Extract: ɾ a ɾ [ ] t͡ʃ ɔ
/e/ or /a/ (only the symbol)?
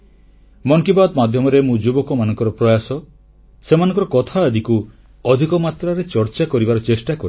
e